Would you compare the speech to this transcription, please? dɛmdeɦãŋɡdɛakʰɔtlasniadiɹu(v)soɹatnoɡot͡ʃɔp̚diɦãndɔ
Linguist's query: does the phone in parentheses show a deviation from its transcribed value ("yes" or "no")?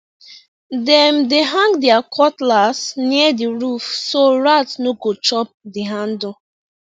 yes